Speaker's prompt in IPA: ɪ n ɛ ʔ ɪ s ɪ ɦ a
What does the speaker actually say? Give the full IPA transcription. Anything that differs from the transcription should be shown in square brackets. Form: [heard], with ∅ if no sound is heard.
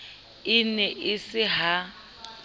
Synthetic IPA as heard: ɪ n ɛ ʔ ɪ s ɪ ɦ a